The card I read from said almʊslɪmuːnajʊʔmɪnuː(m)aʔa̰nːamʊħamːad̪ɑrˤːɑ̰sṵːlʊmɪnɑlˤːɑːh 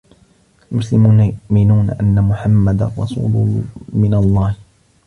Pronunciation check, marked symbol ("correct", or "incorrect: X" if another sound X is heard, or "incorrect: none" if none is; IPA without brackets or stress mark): incorrect: n